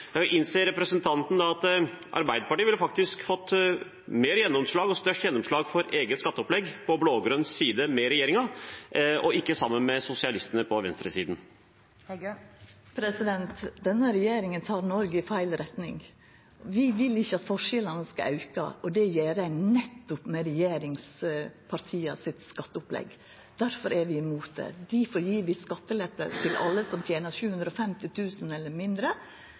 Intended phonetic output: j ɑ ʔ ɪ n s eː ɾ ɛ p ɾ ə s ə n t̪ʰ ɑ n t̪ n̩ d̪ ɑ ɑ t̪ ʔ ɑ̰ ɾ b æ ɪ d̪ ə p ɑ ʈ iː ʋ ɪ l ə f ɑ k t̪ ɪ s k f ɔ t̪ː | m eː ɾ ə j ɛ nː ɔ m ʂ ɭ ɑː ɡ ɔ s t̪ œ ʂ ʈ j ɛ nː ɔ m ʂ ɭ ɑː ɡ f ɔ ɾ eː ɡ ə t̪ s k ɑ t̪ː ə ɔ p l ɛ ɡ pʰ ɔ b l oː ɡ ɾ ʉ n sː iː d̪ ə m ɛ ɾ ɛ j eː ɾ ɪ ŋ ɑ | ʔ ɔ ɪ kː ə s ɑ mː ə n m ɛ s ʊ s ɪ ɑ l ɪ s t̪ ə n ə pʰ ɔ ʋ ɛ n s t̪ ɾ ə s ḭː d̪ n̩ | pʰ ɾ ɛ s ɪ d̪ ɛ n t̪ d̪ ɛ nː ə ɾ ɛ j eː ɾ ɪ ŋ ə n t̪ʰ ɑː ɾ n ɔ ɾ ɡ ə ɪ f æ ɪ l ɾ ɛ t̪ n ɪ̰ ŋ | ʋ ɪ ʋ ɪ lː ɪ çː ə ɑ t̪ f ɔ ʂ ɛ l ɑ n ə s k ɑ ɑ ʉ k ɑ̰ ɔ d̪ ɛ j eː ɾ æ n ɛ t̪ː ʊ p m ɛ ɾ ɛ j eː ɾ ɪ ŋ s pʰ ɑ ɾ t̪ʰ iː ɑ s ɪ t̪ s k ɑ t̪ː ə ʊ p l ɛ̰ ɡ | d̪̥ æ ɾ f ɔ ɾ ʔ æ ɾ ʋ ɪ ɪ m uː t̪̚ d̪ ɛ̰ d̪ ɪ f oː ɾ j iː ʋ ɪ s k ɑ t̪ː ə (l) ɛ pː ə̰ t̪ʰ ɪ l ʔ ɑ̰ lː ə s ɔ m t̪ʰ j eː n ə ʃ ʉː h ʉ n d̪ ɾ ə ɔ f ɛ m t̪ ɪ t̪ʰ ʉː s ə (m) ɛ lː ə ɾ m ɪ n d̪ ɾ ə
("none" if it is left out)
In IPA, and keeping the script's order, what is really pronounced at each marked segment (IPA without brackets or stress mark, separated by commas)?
l, n